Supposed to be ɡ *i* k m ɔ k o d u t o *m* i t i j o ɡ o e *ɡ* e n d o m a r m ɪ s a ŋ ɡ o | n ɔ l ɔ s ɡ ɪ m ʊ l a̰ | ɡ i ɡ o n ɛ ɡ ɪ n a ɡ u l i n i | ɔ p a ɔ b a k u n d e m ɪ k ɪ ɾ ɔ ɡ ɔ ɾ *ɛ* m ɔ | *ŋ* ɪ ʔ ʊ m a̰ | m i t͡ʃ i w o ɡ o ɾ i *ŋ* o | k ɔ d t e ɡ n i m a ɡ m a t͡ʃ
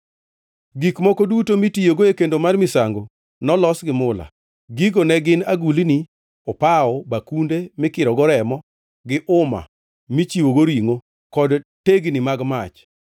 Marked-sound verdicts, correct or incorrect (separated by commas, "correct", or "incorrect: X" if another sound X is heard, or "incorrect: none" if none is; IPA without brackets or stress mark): correct, correct, incorrect: k, correct, incorrect: ɡ, correct